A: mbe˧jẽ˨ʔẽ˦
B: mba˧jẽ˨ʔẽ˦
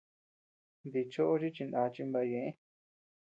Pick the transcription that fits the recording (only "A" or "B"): B